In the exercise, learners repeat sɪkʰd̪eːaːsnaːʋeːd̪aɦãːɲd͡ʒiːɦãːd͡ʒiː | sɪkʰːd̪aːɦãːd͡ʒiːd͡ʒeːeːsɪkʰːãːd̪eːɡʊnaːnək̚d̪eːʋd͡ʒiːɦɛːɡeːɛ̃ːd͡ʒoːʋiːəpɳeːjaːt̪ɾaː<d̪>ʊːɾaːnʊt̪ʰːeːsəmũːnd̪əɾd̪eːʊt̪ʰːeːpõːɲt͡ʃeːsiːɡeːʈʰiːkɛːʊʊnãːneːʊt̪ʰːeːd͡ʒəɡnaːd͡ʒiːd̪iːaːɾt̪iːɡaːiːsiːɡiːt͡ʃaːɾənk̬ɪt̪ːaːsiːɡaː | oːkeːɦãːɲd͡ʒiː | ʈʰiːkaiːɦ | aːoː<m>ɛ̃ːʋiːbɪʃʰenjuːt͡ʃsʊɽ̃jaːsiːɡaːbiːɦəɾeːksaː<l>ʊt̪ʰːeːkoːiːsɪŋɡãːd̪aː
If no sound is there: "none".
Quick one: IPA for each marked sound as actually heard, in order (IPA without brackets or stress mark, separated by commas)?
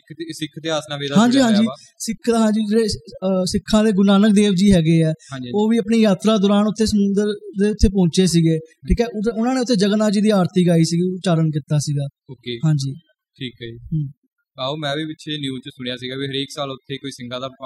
d̪, m, l